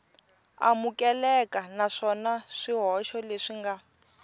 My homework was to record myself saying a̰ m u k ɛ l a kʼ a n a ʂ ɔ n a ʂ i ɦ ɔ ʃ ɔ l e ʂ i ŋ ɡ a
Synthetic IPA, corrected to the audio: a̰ m u k ɛ l ɛ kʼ a n a ʂ ɔ n a ʂ i ɦ ɔ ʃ ɔ l e ʂ i ŋ ɡ a

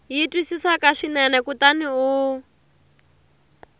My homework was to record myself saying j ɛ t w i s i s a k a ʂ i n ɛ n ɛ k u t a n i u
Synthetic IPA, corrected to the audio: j i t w i s i s a k a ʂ i n ɛ n ɛ k u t a n i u

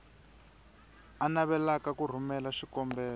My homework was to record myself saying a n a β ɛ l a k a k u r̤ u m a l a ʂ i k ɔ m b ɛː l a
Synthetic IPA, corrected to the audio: a n a β ɛ l a k a k u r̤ u m ɛ l a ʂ i k ɔ m b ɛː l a

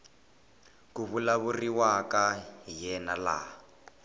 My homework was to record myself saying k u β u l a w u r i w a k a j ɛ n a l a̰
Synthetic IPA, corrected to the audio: k u β u l a β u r i w a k a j ɛ n a l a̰

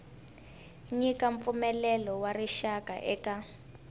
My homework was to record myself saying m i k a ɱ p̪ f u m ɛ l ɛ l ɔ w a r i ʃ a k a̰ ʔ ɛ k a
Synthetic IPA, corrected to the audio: ɲ i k a ɱ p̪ f u m ɛ l ɛ l ɔ w a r i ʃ a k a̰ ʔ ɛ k a

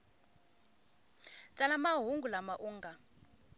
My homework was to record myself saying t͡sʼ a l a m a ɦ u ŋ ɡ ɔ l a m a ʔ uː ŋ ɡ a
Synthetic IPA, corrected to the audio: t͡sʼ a l a m a ɦ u ŋ ɡ u l a m a ʔ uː ŋ ɡ a

